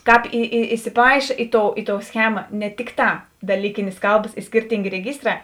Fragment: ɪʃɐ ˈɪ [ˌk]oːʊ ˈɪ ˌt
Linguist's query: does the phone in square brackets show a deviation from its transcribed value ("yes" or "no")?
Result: yes